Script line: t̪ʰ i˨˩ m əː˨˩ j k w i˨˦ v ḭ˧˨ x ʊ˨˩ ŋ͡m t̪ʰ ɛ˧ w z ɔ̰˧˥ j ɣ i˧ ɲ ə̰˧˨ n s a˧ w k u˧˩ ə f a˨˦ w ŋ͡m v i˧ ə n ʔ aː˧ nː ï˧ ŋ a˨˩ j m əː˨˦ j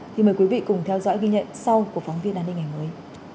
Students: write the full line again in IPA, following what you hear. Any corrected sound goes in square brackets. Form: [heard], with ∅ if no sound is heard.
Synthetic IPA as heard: t̪ʰ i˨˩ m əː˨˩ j k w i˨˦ v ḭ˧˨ [k] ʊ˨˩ ŋ͡m t̪ʰ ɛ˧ w z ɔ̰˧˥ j ɣ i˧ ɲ ə̰˧˨ n s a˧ w k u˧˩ ə f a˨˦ w ŋ͡m v i˧ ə n ʔ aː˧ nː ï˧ ŋ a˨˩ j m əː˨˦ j